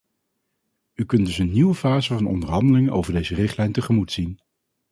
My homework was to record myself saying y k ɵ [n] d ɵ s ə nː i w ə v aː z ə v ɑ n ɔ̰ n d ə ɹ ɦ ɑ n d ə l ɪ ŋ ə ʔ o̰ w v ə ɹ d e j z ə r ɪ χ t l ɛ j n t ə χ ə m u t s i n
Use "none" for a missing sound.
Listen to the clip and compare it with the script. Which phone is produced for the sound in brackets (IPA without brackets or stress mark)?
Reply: n